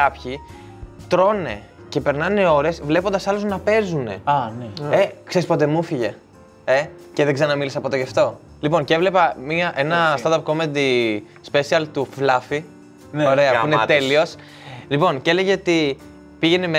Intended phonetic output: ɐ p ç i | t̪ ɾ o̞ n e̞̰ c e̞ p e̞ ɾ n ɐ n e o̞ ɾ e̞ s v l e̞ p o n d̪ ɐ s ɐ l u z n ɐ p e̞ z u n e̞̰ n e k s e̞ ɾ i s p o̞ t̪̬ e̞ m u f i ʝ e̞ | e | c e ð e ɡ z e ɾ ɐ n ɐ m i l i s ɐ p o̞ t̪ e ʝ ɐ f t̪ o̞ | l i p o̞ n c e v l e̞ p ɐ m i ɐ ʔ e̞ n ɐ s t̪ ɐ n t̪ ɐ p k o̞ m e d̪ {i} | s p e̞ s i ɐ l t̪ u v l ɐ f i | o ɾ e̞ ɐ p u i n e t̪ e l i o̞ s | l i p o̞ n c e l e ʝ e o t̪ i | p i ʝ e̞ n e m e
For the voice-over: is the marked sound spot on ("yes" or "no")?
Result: yes